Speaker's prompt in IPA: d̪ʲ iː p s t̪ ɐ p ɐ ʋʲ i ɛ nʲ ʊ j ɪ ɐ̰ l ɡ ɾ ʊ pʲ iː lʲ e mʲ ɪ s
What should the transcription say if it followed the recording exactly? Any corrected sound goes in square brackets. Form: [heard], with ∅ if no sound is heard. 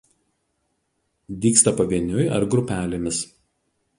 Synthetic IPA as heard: d̪ʲ iː [k] s t̪ ɐ p ɐ ʋʲ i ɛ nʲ ʊ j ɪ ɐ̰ [ɾ] ɡ ɾ ʊ pʲ [æː] lʲ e mʲ ɪ s